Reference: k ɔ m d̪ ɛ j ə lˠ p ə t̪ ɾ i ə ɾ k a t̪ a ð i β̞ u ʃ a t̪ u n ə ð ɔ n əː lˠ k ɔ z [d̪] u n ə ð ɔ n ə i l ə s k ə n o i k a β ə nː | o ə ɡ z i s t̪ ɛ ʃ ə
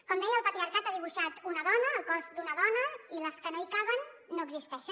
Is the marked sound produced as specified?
yes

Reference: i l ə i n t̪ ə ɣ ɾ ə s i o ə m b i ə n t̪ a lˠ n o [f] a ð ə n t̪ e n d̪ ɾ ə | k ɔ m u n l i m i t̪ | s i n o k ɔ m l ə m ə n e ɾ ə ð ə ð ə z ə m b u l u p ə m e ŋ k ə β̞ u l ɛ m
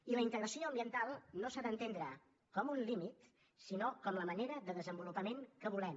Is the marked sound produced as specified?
no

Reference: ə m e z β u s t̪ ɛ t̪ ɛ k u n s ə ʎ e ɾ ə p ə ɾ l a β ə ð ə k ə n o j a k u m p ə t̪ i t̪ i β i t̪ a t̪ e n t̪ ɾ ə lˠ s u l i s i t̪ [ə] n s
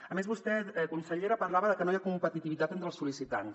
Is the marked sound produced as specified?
no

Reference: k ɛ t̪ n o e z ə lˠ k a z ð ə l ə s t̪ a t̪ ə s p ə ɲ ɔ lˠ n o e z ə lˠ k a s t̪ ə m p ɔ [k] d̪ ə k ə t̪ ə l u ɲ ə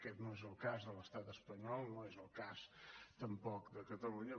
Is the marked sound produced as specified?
yes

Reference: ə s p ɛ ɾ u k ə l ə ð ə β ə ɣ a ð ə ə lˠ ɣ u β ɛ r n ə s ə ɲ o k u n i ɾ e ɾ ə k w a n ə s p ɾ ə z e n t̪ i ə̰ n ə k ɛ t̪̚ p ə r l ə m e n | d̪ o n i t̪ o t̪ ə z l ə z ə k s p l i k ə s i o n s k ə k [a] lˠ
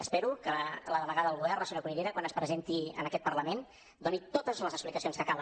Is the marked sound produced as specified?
yes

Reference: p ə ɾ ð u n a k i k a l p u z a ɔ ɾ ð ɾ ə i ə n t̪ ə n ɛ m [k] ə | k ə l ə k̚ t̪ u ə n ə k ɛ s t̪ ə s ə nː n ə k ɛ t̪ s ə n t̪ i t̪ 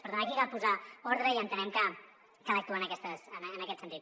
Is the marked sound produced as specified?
yes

